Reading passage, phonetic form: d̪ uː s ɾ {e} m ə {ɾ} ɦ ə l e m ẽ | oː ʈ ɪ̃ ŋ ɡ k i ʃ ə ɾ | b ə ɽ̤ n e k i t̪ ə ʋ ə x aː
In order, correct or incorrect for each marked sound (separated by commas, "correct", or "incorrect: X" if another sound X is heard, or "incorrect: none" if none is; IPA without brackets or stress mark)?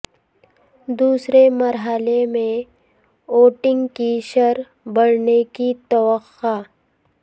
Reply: correct, correct